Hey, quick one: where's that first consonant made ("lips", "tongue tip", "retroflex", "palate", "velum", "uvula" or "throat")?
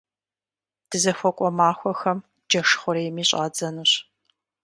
tongue tip